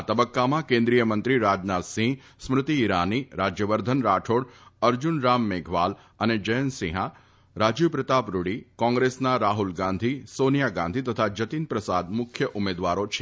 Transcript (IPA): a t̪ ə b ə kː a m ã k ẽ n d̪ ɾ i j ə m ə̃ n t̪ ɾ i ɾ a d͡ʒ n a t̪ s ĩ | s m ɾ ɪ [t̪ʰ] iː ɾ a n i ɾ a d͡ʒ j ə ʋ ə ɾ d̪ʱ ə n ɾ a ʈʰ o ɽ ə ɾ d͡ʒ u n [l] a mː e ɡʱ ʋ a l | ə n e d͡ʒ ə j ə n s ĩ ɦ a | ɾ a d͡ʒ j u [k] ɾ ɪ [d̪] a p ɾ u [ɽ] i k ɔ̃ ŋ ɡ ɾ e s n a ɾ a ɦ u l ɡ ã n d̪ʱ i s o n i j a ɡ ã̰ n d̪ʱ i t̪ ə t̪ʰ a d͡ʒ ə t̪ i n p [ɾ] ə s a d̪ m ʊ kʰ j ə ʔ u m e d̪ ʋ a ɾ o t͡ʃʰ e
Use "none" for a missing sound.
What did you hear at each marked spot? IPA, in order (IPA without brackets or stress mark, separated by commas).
t̪, ɾ, p, t̪, ɽ, ɾ